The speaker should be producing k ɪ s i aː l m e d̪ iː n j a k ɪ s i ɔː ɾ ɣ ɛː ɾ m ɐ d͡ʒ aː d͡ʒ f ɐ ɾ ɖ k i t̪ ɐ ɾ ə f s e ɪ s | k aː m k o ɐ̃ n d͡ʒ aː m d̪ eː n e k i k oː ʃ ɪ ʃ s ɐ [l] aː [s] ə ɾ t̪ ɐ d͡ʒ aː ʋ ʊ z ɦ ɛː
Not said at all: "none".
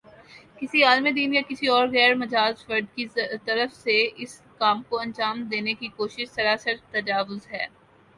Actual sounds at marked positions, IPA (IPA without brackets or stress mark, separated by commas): ɾ, s